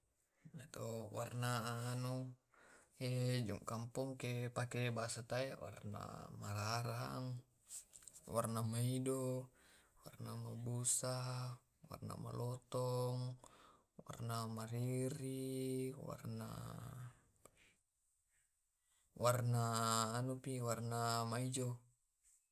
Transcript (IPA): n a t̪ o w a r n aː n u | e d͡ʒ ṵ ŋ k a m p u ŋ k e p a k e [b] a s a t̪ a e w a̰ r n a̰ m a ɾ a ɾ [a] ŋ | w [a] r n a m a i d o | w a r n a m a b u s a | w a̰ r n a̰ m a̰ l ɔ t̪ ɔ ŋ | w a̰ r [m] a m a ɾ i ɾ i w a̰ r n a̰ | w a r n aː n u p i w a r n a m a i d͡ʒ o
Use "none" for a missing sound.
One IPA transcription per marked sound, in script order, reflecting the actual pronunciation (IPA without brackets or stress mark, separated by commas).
b, a, a, n